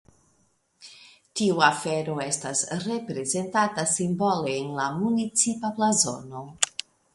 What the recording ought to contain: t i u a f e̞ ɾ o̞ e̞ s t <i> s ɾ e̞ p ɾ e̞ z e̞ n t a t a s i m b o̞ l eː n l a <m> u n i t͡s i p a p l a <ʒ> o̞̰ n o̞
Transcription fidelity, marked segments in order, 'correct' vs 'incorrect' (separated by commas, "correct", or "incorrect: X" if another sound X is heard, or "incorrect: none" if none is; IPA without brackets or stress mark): incorrect: a, correct, incorrect: z